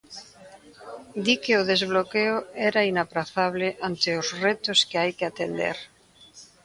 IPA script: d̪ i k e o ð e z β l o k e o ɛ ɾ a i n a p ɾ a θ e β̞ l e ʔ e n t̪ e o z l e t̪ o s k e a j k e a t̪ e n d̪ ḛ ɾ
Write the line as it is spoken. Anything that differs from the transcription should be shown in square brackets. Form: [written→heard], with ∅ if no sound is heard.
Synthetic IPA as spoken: d̪ i k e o ð e z β l o k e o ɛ ɾ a i n a p ɾ a θ [e→a] β̞ l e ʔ [e→a] n t̪ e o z [l→r] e t̪ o s k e a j k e a t̪ e n d̪ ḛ ɾ